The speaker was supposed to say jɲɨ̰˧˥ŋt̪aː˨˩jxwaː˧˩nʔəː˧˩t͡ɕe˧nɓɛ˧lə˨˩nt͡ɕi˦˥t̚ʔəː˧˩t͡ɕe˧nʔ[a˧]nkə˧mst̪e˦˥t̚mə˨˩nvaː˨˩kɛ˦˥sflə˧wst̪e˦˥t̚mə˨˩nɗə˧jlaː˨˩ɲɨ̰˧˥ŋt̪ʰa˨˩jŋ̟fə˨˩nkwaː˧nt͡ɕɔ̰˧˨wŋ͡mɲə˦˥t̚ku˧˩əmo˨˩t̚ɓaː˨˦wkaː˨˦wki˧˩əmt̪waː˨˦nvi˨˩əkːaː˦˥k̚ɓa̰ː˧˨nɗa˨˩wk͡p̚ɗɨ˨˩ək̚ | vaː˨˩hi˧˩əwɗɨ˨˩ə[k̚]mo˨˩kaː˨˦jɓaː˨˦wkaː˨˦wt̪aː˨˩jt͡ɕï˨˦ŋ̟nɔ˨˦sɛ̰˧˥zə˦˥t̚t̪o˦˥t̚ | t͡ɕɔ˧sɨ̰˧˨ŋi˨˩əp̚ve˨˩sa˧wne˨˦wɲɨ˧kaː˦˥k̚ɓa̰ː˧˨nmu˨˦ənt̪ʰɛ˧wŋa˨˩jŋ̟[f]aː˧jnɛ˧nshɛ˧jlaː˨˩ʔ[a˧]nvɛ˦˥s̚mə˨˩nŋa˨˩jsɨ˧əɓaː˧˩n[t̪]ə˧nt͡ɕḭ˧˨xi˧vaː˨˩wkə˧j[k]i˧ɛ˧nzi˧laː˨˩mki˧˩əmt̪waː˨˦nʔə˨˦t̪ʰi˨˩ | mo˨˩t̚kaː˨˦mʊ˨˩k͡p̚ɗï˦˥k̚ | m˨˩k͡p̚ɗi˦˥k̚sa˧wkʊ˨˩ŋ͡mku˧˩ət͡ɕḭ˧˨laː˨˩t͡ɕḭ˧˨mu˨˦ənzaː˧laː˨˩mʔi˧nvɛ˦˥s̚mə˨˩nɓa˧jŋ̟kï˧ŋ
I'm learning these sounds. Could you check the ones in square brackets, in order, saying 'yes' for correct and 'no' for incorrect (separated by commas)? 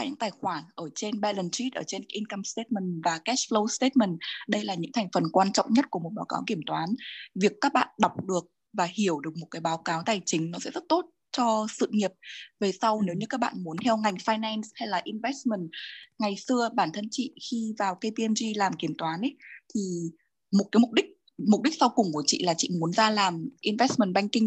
no, yes, yes, no, no, no